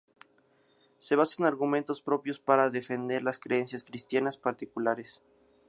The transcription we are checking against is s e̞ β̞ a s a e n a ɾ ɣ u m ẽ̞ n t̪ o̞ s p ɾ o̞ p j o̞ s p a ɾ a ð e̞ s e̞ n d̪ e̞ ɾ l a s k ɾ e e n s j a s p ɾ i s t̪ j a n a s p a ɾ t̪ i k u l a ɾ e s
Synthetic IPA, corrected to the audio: s e̞ β̞ a s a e n a ɾ ɣ u m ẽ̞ n t̪ o̞ s p ɾ o̞ p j o̞ s p a ɾ a ð e̞ f e̞ n d̪ e̞ ɾ l a s k ɾ e e n s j a s k ɾ i s t̪ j a n a s p a ɾ t̪ i k u l a ɾ e s